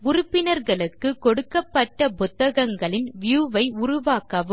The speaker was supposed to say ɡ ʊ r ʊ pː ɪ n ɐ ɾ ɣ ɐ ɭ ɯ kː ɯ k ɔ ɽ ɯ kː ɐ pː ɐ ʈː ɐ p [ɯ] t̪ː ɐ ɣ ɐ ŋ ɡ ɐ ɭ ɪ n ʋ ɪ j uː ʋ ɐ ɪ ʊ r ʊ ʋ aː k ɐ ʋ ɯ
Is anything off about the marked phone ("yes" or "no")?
yes